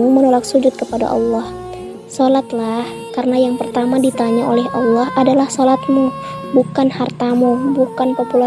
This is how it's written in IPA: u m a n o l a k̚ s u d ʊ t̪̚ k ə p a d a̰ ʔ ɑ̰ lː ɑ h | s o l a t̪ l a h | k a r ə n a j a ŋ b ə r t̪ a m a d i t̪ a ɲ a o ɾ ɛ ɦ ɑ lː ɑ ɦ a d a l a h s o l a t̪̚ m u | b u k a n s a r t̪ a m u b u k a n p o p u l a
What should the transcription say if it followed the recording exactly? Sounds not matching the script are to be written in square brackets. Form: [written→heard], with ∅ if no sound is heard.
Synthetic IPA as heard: u m [a→ə] n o l a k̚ s u [d→d͡ʒ] ʊ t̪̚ k ə p a d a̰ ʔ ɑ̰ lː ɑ h | s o l a t̪ l a h | k a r ə n a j a ŋ [b→p] ə r t̪ a m a d i t̪ a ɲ a o [ɾ→l] ɛ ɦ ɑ lː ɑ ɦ a d a l a h s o l a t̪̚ m u | b u k a n [s→h] a r t̪ a m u b u k a n p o p u l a